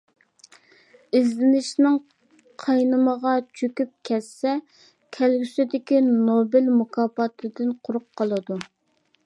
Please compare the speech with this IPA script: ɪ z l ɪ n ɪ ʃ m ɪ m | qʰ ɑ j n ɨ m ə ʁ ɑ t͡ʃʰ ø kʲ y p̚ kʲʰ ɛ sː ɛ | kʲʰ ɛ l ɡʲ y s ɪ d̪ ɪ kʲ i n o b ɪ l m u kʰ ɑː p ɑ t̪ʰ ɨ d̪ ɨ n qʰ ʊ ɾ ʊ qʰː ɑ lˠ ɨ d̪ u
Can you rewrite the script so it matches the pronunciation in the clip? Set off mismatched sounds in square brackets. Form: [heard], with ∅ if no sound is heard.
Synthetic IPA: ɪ z l ɪ n ɪ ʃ [n] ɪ [ŋ] | qʰ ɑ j n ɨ m ə ʁ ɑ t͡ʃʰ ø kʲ y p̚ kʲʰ ɛ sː ɛ | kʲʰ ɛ l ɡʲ y s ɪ d̪ ɪ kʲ i n o b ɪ l m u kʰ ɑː p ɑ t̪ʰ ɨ d̪ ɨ n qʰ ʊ ɾ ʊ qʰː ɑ lˠ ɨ d̪ u